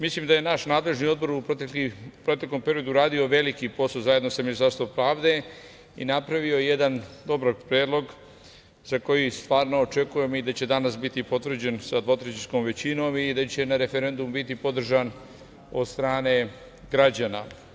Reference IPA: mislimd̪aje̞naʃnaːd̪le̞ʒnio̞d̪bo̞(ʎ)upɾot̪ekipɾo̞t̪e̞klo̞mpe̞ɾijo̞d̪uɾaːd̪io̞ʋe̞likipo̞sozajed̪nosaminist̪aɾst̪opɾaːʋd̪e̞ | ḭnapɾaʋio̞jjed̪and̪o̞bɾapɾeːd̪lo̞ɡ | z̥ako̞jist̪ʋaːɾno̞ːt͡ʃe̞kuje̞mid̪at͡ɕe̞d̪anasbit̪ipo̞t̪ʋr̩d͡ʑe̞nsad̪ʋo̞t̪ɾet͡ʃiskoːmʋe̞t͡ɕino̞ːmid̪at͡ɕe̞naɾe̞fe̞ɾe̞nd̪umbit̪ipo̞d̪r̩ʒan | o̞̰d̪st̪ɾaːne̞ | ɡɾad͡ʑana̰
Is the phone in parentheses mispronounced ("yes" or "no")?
yes